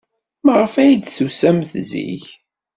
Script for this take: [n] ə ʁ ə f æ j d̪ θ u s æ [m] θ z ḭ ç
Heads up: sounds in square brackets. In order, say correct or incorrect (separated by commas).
incorrect, correct